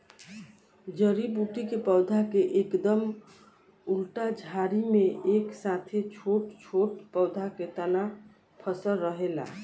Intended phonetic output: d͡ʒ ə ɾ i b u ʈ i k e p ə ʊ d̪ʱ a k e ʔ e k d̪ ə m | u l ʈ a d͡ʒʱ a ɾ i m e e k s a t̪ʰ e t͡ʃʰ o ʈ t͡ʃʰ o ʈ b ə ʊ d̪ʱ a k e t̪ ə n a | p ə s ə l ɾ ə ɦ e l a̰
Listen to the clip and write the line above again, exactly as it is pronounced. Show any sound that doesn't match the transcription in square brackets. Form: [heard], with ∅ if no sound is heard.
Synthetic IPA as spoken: d͡ʒ ə ɾ i b u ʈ i k e p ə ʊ d̪ʱ a k e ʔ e k d̪ ə m | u l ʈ a d͡ʒʱ a ɾ i m e e k s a t̪ʰ e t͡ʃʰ o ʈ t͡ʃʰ o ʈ [p] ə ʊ d̪ʱ a k e t̪ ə n a | [pʰ] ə s ə l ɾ ə ɦ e l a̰